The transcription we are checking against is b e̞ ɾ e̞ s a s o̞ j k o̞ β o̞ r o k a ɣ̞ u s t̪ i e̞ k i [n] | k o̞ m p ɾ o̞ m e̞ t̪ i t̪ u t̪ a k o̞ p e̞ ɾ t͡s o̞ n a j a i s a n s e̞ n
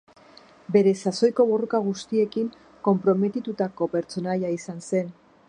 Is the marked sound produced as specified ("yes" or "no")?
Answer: no